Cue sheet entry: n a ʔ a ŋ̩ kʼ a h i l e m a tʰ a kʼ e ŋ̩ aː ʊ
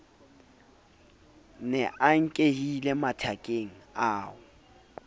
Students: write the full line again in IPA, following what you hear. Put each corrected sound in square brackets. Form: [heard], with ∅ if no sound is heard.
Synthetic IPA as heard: n [ɛ] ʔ a ŋ̩ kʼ [e] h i l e m a tʰ a kʼ e ŋ̩ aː ʊ